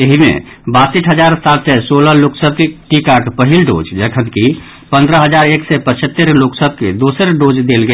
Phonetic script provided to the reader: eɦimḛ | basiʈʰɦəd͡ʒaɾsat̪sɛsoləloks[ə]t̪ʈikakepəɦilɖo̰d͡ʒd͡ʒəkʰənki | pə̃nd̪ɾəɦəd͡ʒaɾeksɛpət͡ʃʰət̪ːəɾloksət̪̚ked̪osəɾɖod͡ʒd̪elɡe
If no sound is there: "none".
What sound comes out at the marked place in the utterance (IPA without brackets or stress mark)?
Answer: ə